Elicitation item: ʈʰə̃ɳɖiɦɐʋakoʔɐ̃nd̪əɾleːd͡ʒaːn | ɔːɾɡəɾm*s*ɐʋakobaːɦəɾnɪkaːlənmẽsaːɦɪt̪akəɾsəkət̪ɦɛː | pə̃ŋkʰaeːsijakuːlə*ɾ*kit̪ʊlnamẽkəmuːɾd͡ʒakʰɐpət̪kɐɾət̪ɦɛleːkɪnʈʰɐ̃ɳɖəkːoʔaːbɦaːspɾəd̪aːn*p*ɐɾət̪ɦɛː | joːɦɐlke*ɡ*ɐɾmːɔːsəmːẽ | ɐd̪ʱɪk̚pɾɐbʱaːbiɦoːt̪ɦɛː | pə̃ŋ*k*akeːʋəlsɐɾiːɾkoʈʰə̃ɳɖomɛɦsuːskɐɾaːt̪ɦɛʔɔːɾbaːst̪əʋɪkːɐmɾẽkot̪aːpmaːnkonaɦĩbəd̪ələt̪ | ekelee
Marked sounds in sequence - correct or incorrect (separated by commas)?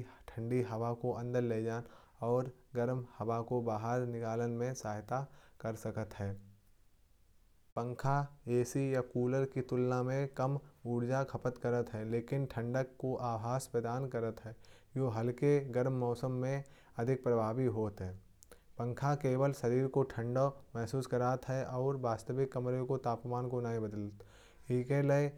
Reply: incorrect, correct, incorrect, correct, incorrect